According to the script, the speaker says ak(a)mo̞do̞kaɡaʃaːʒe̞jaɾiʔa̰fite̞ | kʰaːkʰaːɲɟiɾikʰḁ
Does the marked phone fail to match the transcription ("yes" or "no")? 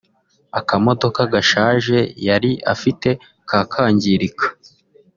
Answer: no